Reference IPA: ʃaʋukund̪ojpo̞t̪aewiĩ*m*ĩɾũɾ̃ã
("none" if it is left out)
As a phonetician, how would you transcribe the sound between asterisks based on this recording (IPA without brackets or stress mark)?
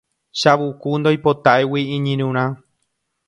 ɲ